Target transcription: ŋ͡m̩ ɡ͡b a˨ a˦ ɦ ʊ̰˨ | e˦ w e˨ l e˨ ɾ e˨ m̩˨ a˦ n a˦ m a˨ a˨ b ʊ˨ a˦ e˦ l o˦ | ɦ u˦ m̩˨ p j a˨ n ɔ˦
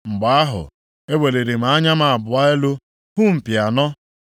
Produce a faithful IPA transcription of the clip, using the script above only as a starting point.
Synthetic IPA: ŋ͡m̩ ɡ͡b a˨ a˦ ɦ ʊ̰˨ | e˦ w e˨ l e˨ ɾ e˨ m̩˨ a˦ ɲ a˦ m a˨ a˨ b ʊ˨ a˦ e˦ l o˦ | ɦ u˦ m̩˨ p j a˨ n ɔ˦